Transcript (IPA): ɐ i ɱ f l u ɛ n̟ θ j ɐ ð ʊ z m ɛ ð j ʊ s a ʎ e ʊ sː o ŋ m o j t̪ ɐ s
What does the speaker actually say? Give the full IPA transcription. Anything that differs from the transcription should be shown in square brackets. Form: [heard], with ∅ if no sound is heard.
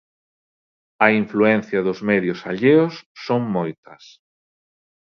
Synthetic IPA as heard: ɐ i ɱ f l u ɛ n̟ θ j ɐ ð ʊ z m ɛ ð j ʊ s a ʎ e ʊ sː o ŋ m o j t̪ ɐ s

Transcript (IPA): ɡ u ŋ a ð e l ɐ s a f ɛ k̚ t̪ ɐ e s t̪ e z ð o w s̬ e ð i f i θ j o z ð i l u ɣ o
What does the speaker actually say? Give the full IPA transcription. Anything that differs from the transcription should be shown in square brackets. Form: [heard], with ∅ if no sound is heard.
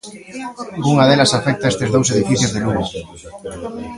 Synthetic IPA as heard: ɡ u ŋ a ð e l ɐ s a f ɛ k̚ t̪ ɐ e s t̪ e z ð o w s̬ e ð i f i θ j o z ð [e] l u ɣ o

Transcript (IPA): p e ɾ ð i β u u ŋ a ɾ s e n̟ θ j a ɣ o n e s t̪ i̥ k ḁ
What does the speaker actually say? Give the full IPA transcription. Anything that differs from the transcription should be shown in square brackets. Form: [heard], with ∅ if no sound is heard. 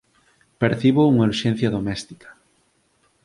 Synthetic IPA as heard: p e ɾ [θ] i β [o] u ŋ a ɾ [ʃ] e n̟ θ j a [ð] o [m] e s t̪ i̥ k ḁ

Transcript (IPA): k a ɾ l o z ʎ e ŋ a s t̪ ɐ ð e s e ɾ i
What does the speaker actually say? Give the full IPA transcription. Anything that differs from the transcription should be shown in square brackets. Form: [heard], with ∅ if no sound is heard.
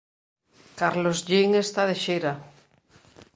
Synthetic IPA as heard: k a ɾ l o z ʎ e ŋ [e] s t̪ [a] ð e [ʃ] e ɾ [a]

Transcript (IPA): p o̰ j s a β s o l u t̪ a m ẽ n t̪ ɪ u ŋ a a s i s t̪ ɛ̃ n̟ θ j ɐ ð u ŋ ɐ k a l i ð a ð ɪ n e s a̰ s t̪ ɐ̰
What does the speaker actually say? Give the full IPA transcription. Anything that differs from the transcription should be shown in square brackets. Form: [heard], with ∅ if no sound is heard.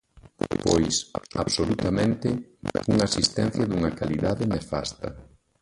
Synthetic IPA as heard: p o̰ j s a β s o l u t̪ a m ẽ n t̪ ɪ u ŋ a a s i s t̪ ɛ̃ n̟ θ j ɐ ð u ŋ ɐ k a l i ð a ð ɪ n e [f] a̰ s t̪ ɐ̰

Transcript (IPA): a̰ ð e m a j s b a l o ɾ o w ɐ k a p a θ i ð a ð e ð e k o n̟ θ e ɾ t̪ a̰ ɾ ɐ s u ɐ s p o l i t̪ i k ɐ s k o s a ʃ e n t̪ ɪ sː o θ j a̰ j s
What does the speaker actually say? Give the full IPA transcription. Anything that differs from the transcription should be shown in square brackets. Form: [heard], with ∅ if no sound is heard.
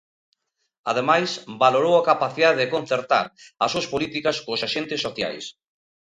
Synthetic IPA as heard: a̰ ð e m a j s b a l o ɾ o w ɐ k a p a θ i ð a ð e ð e k o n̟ θ e ɾ t̪ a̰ ɾ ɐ s u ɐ s p o l i t̪ i k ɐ s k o s a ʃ e n t̪ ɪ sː o θ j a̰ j s

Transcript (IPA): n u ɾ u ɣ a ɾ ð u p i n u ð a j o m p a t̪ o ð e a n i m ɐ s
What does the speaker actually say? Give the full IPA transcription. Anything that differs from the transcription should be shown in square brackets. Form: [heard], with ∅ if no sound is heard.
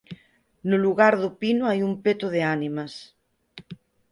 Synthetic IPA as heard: n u [l] u ɣ a ɾ ð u p i n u [∅] a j [u] m p [e] t̪ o ð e a n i m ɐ s

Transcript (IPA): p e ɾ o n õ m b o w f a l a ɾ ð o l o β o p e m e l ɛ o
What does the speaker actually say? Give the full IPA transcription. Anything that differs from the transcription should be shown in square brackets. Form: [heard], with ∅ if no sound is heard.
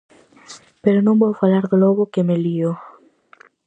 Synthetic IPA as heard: p e ɾ o n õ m b o w f a l a ɾ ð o l o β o [k] e m e l [i] o

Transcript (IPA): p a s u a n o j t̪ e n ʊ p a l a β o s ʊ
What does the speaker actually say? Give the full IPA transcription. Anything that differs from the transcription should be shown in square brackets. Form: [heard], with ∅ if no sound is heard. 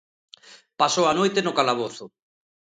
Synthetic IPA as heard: p a s [o] a n o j t̪ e n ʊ [k] a l a β o [θ] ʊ

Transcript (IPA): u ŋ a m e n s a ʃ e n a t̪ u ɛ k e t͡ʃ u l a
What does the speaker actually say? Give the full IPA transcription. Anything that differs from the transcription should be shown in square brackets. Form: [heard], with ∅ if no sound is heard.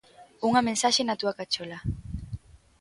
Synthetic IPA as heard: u ŋ a m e n s a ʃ e n a t̪ u [a] k [a] t͡ʃ [o] l a

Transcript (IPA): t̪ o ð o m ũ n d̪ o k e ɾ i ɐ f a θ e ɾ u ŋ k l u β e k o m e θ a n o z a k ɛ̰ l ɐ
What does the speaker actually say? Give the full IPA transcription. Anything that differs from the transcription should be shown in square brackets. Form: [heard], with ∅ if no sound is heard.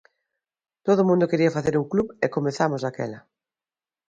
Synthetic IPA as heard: t̪ o ð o m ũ n d̪ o k e ɾ i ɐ f a θ e ɾ u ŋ k l u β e k o m e θ a [m] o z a k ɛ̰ l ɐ

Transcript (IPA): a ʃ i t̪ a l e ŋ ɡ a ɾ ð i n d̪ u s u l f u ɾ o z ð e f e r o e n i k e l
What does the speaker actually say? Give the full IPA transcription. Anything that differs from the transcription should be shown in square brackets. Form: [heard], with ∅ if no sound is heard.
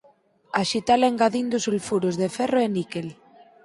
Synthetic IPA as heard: a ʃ i t̪ a l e ŋ ɡ a [∅] ð i n d̪ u s u l f u ɾ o z ð e f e r o e n i k e l

